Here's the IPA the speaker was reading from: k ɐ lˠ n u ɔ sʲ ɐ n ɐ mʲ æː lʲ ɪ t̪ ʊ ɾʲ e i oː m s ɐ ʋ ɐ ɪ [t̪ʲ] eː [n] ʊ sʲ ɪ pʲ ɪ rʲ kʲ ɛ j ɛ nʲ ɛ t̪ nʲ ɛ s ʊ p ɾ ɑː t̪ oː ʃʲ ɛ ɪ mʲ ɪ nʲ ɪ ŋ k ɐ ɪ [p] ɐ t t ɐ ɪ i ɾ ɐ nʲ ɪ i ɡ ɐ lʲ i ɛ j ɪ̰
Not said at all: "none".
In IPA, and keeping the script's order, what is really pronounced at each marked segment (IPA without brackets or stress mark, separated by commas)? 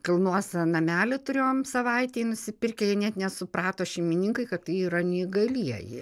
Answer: t̪ʲ, n, k